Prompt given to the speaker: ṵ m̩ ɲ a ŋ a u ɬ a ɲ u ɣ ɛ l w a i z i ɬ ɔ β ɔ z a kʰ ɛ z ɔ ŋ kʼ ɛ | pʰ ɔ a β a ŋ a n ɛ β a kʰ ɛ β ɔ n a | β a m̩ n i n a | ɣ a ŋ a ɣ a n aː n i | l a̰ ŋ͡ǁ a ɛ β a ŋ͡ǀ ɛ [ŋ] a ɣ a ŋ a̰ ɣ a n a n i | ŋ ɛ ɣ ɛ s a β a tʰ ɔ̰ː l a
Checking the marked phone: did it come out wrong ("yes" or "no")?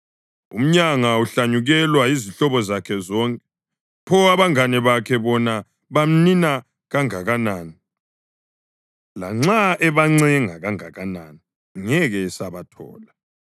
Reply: no